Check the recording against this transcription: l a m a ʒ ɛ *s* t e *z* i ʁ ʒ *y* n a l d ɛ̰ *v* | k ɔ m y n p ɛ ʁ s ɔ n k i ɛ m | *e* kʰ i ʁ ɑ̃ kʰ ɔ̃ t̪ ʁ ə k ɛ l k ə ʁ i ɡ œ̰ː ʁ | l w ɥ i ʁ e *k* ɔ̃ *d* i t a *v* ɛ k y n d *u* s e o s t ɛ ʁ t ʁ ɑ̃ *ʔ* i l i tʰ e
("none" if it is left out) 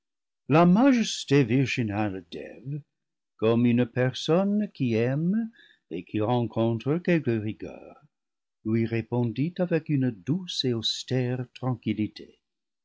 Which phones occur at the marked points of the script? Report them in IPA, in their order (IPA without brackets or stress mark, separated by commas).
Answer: s, v, i, v, e, p, d, v, u, k